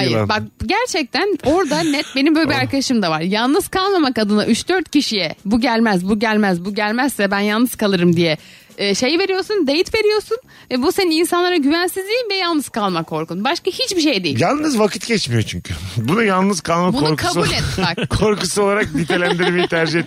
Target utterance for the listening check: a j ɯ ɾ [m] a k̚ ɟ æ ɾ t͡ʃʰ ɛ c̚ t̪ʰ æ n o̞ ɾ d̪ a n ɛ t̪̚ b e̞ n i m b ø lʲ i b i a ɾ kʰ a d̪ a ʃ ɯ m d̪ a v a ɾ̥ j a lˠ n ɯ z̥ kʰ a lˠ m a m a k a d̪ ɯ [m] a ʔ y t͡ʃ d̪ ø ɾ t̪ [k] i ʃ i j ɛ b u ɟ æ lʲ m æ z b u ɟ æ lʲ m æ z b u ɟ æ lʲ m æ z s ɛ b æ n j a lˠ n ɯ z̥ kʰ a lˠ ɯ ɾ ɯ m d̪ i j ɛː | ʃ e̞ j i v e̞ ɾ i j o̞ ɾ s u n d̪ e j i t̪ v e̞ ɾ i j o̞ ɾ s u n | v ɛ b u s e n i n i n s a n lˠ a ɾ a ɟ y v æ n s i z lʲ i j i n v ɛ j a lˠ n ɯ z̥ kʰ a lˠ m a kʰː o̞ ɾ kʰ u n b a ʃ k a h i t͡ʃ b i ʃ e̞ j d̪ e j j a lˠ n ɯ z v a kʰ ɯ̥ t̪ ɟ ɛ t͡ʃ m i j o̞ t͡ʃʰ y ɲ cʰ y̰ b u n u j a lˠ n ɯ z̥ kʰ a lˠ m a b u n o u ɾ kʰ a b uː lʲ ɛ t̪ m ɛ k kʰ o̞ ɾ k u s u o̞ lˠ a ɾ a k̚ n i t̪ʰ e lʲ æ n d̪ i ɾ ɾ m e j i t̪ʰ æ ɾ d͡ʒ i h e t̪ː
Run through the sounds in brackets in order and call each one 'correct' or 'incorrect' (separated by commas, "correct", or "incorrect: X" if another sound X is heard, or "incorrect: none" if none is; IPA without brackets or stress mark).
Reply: incorrect: b, incorrect: n, incorrect: c